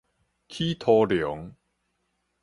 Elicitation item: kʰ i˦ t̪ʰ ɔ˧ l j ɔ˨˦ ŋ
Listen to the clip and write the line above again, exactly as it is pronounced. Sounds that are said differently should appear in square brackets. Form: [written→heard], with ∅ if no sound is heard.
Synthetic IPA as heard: kʰ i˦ t̪ʰ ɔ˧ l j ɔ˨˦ ŋ